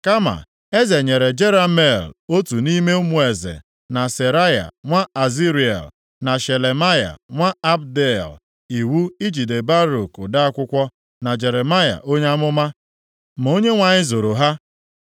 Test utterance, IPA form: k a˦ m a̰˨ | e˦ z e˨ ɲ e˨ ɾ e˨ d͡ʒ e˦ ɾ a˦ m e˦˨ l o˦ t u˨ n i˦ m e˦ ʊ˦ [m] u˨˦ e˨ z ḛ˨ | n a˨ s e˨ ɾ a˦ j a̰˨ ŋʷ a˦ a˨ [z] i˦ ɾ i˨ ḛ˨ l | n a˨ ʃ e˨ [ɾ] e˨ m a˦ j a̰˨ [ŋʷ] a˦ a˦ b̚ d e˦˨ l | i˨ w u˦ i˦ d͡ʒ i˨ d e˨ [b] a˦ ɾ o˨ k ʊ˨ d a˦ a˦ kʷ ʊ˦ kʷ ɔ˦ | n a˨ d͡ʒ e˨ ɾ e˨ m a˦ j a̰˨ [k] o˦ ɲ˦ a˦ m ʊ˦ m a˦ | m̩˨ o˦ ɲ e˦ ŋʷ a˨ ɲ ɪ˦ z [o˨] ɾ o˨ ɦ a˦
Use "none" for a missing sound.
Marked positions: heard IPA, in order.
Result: m, z, l, ŋʷ, b, ʔ, o˨

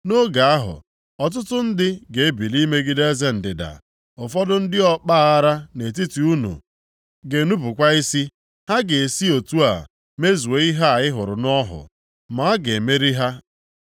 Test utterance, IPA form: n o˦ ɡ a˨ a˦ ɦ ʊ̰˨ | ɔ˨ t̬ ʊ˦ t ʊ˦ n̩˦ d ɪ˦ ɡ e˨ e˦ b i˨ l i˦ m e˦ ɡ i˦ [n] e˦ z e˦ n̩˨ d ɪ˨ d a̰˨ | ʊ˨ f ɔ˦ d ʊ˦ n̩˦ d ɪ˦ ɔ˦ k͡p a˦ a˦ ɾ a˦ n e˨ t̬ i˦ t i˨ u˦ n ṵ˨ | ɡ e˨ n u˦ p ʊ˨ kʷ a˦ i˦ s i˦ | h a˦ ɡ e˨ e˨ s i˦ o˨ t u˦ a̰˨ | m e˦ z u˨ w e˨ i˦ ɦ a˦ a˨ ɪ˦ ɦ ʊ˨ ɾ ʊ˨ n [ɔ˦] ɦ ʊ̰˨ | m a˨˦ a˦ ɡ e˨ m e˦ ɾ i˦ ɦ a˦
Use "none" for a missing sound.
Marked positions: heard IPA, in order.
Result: d, ɔ˦

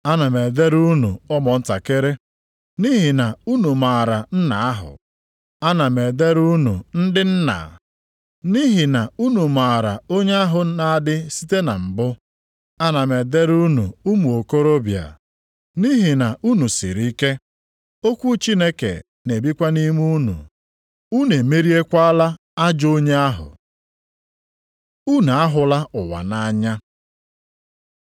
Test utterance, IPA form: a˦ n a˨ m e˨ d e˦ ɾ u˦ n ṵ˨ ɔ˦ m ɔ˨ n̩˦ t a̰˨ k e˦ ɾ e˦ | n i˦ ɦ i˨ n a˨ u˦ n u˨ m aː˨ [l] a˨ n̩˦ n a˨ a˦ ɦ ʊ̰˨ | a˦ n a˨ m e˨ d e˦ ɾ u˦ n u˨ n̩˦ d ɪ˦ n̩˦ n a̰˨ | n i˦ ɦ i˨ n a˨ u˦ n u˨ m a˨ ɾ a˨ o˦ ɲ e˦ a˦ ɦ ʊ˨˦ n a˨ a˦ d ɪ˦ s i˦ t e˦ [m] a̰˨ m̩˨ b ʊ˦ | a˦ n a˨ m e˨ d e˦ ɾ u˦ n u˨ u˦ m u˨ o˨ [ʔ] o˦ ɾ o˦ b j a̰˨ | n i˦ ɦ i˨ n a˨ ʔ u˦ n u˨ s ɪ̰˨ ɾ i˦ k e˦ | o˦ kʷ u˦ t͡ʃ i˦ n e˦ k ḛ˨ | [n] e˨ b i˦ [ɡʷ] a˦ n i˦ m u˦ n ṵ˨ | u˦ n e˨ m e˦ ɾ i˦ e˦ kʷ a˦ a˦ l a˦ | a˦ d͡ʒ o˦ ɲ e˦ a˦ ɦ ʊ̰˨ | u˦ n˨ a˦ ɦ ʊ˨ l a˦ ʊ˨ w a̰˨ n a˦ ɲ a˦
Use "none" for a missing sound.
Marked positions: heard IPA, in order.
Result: ɾ, n, k, n, kʷ

